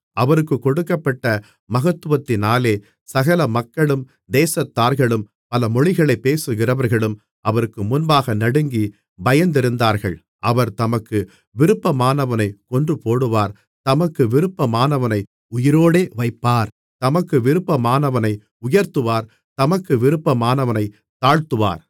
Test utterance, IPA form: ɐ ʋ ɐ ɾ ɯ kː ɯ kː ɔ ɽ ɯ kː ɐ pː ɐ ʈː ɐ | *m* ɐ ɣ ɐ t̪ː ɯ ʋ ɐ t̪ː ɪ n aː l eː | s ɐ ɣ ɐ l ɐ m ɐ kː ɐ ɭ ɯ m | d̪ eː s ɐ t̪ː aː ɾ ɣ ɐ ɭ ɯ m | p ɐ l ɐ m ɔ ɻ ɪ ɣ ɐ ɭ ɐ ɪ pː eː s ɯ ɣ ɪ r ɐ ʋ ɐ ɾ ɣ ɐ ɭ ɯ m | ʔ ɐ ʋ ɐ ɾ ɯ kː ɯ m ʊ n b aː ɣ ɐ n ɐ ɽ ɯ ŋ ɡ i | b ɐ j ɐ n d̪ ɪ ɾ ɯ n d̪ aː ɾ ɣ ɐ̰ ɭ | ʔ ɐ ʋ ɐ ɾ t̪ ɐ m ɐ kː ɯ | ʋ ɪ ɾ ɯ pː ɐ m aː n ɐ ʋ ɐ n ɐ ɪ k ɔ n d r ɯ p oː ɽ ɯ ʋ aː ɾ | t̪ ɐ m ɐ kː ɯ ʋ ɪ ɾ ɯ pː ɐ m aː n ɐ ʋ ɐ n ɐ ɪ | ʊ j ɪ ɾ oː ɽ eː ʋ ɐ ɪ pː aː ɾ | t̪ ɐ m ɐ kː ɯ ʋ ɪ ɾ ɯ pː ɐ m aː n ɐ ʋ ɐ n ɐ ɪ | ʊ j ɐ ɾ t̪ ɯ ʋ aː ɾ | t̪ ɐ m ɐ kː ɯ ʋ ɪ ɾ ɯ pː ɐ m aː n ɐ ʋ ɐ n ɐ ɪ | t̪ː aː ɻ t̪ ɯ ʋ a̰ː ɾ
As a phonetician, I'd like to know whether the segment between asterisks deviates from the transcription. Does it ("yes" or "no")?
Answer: no